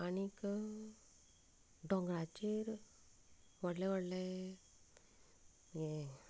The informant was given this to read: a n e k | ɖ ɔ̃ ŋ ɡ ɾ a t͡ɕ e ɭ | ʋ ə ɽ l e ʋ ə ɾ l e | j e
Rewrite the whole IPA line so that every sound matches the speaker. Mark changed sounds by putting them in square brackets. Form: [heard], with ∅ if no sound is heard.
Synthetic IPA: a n [i] k | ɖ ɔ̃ ŋ ɡ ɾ a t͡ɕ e [ɾ] | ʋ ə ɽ l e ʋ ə [ɽ] l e | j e